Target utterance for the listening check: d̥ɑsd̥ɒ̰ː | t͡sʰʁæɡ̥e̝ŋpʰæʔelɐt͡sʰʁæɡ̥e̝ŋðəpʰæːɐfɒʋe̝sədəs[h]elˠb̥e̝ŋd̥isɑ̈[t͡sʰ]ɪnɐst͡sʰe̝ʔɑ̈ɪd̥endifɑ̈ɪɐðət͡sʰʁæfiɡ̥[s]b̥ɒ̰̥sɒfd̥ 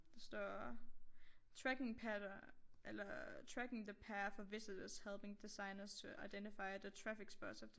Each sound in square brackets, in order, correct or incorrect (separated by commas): correct, incorrect, correct